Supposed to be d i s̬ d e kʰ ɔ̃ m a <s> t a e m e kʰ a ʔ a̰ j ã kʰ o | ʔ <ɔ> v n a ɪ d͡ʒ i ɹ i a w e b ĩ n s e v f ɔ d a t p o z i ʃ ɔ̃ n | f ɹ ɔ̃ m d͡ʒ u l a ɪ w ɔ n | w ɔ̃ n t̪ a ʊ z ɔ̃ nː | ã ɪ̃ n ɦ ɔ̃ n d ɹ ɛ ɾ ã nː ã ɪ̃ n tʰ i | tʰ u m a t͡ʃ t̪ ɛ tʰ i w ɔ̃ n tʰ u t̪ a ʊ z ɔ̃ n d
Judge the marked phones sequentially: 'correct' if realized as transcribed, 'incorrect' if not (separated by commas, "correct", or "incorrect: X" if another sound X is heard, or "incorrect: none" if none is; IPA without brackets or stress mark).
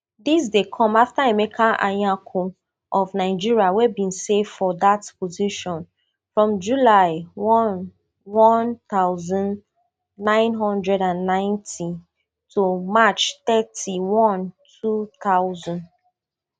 incorrect: f, correct